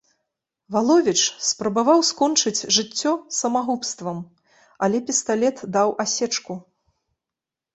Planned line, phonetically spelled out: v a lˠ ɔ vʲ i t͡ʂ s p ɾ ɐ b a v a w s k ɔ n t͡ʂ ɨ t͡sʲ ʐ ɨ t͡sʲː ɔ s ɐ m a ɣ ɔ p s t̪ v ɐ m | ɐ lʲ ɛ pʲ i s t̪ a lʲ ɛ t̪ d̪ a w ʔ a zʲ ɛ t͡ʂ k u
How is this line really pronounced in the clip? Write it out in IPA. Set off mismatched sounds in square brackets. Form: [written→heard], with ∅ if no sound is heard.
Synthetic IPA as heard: v a lˠ ɔ vʲ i t͡ʂ s p ɾ ɐ b a v a w s k ɔ n t͡ʂ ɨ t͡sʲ ʐ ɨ t͡sʲː ɔ s ɐ m a ɣ [ɔ→u] p s t̪ v ɐ m | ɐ lʲ ɛ pʲ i s t̪ a lʲ ɛ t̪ d̪ a w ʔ a [zʲ→sʲ] ɛ t͡ʂ k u